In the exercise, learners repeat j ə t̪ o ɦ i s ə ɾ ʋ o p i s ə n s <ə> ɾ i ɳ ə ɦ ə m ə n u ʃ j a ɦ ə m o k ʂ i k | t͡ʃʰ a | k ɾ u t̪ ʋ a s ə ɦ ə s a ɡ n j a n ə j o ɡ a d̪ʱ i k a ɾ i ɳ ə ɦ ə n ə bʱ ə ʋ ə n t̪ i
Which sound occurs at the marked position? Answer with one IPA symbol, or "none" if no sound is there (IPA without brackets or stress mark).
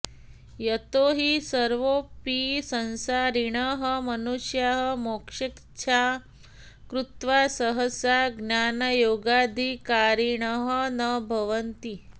a